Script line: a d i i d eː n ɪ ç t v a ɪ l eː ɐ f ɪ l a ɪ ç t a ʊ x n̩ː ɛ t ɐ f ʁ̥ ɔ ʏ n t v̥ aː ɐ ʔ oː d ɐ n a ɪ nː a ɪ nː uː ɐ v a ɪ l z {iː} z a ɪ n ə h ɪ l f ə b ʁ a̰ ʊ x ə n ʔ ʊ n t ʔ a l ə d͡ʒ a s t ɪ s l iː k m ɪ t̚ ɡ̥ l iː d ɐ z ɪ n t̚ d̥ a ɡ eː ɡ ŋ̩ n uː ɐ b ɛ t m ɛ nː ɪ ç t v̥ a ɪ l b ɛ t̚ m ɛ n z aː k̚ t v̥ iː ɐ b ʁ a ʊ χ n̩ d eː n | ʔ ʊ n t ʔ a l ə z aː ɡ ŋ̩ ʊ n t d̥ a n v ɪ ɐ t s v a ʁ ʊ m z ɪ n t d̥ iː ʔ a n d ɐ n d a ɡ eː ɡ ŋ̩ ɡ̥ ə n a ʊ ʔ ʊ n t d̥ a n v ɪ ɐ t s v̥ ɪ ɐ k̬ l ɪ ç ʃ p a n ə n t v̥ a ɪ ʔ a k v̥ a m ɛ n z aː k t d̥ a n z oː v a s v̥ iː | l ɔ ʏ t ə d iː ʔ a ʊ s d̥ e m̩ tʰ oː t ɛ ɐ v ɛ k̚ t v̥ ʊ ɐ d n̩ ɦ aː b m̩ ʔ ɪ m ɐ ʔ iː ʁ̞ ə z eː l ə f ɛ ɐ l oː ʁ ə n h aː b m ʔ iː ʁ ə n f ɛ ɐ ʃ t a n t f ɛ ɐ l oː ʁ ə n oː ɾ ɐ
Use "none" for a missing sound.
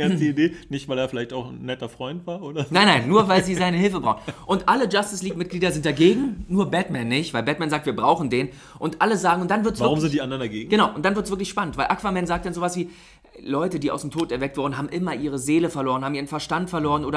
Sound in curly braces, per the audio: iː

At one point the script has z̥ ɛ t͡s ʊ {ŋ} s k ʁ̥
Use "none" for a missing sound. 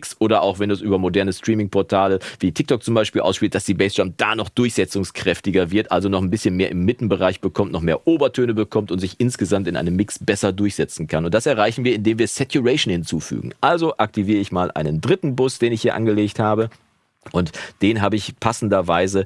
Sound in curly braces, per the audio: ŋ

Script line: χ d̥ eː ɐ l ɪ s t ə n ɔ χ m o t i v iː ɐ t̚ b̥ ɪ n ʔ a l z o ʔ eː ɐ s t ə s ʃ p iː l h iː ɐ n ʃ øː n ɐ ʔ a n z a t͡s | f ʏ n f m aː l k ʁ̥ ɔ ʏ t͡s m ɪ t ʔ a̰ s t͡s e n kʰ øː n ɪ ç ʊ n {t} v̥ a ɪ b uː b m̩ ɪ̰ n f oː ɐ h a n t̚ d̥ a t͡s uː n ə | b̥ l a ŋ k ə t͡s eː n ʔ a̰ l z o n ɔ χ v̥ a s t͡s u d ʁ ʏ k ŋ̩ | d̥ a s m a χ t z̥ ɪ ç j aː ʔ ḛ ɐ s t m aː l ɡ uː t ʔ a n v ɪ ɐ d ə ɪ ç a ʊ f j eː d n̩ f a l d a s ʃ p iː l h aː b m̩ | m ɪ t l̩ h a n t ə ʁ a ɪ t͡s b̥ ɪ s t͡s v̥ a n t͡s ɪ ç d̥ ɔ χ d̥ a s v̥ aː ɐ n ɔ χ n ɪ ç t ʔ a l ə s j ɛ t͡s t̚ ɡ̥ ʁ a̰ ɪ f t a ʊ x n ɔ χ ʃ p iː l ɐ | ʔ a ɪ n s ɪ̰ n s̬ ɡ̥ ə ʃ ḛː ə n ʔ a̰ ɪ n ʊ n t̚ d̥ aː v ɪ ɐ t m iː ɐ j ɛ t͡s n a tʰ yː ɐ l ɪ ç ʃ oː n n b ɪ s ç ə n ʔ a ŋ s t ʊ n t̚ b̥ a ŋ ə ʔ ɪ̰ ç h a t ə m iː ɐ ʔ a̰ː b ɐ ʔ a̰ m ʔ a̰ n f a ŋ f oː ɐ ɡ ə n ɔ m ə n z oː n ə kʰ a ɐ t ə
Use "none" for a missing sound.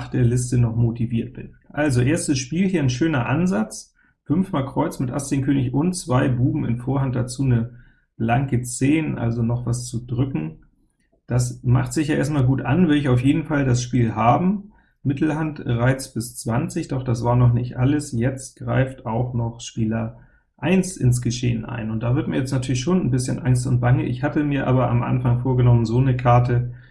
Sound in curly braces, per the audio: t͡s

